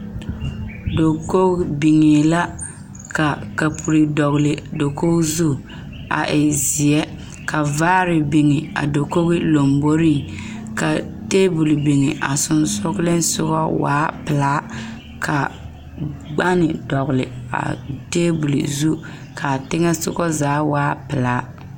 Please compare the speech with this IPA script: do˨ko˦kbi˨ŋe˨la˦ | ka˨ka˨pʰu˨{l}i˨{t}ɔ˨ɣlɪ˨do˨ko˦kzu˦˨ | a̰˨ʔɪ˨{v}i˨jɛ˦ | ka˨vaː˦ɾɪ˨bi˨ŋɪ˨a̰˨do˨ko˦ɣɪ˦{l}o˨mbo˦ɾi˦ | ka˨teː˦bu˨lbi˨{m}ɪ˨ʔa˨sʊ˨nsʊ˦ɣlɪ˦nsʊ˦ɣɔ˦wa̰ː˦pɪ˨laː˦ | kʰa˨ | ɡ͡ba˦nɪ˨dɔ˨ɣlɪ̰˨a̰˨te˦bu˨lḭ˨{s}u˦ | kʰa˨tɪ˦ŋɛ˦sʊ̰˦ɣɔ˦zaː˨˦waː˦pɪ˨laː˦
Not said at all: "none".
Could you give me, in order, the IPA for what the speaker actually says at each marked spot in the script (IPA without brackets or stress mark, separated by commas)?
ɾ, d, z, l, ŋ, z